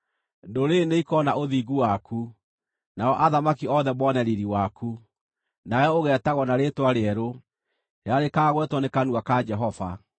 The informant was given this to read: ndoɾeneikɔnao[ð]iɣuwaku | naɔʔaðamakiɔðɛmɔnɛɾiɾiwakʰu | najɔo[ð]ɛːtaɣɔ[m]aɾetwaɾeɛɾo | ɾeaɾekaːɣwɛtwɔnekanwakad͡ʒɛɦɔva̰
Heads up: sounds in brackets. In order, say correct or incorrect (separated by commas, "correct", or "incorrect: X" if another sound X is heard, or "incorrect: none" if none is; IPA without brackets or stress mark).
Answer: correct, incorrect: ɣ, incorrect: n